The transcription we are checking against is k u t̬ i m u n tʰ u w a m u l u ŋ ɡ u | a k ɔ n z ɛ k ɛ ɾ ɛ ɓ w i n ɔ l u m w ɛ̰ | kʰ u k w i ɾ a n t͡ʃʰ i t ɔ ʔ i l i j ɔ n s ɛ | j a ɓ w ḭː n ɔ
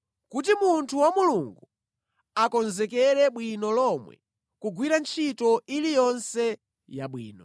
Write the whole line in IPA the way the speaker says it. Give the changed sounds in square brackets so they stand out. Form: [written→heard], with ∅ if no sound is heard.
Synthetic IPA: k u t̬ i m u n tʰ u w a m u l u ŋ ɡ u | a k ɔ n z ɛ k ɛ ɾ ɛ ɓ w i n ɔ l [u→ɔ] m w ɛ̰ | [kʰ→k] u [k→ɡ] w i ɾ a n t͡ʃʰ i t ɔ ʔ i l i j ɔ n s ɛ | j a ɓ w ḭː n ɔ